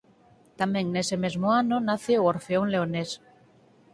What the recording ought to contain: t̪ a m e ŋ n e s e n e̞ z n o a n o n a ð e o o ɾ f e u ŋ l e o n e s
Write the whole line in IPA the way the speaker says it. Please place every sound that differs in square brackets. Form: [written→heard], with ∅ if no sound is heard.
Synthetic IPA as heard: t̪ a m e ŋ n e s e [n→m] e̞ z [n→m] o a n o n a [ð→θ] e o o ɾ f e [u→o] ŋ l e o n e s